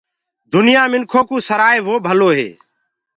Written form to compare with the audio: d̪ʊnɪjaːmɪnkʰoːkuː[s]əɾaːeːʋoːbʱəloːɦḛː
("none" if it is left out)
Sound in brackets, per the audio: s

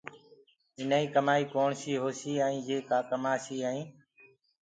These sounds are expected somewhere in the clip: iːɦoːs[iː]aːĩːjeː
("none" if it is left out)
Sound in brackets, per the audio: iː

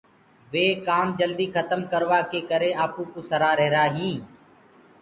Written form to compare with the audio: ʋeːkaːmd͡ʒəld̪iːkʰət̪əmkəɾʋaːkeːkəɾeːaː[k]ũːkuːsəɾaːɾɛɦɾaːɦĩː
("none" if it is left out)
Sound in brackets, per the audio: p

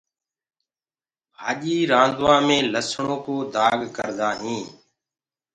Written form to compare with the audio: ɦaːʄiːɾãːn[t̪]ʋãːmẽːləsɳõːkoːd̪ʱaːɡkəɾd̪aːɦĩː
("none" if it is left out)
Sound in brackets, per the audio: d̪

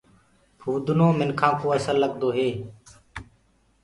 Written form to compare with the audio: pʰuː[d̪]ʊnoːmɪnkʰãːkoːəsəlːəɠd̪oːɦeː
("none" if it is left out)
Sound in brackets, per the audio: d̪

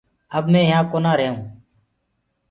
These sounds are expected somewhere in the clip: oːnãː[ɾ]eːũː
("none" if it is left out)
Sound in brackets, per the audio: ɾ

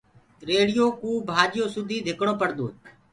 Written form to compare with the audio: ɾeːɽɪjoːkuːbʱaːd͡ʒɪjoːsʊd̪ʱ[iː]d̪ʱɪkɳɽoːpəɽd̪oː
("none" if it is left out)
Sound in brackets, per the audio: iː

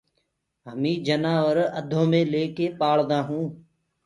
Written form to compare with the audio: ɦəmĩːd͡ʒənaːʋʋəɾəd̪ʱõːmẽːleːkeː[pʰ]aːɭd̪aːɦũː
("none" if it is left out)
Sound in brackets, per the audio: p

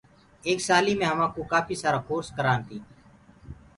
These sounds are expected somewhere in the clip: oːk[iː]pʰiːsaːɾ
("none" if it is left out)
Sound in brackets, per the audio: aː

